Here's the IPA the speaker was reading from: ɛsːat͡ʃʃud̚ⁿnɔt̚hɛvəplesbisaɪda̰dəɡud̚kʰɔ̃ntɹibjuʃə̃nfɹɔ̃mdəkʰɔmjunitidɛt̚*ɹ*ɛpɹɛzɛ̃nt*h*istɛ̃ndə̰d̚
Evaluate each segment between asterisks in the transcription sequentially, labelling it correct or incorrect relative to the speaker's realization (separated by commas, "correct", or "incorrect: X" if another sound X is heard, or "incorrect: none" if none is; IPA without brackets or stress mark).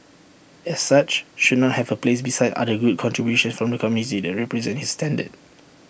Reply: correct, correct